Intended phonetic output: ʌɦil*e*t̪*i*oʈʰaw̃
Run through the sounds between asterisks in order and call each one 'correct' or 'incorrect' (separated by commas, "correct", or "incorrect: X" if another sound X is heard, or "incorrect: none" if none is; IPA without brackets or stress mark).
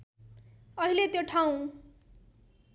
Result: correct, incorrect: j